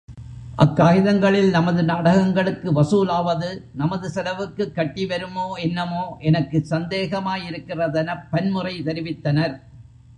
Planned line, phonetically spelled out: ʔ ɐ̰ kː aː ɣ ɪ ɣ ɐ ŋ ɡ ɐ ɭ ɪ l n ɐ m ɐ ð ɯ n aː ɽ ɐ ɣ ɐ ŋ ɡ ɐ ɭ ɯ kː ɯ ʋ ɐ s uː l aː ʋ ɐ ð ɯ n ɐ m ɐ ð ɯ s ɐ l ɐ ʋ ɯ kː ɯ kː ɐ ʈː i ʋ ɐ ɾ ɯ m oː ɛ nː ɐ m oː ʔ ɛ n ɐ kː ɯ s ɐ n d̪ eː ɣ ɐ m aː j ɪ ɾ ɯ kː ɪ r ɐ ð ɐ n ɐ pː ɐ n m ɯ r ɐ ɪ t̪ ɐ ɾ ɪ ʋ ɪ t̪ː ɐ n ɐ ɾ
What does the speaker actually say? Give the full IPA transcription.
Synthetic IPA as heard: ʔ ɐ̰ kː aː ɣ ɪ ð ɐ ŋ ɡ ɐ ɭ ɪ l n ɐ m ɐ ð ɯ n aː ɽ ɐ ɣ ɐ ŋ ɡ ɐ ɭ ɯ kː ɯ ʋ ɐ s uː l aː ʋ ɐ ð ɯ n ɐ m ɐ ð ɯ s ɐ l ɐ ʋ ɯ kː ɯ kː ɐ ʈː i ʋ ɐ ɾ ɯ m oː ɛ nː ɐ m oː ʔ ɛ n ɐ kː ɯ s ɐ n d̪ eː ɣ ɐ m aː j ɪ ɾ ɯ kː ɪ r ɐ ð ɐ n ɐ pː ɐ n m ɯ r ɐ ɪ t̪ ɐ ɾ ɪ ʋ ɪ t̪ː ɐ n ɐ ɾ